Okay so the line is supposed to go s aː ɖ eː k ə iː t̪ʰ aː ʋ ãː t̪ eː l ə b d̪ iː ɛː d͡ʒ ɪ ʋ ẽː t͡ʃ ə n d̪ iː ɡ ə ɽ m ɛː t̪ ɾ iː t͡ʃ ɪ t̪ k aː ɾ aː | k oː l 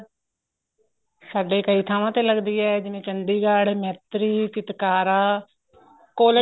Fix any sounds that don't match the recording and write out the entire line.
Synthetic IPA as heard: s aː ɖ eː k ə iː t̪ʰ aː ʋ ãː t̪ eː l ə ɡ d̪ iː ɛː d͡ʒ ɪ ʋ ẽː t͡ʃ ə n d̪ iː ɡ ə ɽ m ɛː t̪ ɾ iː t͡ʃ ɪ t̪ k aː ɾ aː | k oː l